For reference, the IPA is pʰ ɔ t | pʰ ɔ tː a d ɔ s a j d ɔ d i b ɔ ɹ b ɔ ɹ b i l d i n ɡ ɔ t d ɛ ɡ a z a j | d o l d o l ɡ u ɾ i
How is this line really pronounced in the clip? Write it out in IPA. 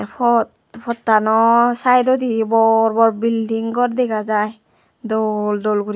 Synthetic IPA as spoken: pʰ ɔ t | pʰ ɔ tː a n ɔ s a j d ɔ d i b ɔ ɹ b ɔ ɹ b i l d i ŋ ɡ ɔ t d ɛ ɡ a z a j | d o l d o l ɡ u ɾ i